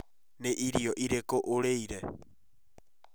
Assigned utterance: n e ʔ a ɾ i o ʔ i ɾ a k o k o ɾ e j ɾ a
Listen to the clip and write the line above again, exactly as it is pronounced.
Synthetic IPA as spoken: n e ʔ i ɾ i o ʔ i ɾ e k o ʔ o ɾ e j ɾ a